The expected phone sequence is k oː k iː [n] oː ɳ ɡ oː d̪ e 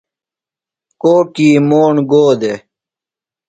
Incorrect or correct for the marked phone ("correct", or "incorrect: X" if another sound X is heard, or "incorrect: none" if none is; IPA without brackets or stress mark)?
incorrect: m